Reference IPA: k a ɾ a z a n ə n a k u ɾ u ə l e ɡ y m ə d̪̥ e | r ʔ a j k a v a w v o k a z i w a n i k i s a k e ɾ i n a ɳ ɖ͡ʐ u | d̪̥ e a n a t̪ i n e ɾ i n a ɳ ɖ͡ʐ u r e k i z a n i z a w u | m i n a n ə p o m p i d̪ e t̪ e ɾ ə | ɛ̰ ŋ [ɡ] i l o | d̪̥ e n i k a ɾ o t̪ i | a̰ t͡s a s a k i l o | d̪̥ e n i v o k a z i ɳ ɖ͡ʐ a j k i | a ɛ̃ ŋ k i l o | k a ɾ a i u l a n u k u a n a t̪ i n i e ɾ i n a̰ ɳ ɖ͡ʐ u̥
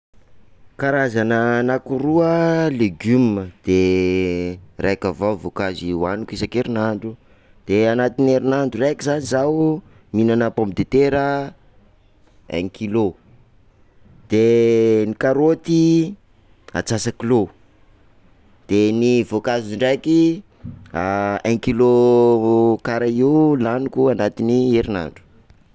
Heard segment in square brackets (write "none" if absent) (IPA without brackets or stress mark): k